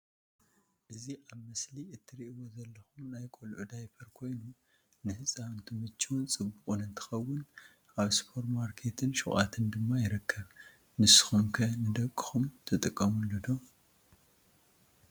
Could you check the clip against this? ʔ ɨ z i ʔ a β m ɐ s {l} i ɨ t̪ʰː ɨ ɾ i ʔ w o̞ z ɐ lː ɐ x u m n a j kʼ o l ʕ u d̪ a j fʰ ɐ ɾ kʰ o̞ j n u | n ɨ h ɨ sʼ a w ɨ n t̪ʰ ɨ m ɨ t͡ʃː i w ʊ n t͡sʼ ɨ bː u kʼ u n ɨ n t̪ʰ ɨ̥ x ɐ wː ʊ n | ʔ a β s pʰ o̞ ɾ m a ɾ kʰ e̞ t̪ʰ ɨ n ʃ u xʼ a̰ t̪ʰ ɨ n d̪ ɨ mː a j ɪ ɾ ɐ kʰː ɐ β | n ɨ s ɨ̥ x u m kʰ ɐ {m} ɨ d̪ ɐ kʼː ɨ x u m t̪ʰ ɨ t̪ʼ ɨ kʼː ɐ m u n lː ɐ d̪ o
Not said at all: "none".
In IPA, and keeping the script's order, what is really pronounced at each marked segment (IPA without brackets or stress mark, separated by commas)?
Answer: l, n